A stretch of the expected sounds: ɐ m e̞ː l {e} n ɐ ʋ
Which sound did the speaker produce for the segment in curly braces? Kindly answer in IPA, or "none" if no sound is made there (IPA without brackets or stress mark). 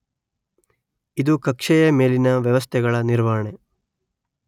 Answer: i